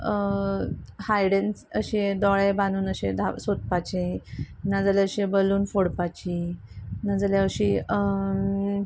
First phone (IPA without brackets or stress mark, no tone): h